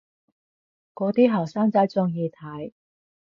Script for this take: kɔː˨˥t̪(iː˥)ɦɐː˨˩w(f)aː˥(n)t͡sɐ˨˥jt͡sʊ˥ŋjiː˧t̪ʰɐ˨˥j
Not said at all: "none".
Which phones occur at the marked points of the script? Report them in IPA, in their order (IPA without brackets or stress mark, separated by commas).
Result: iː˥, s, ŋ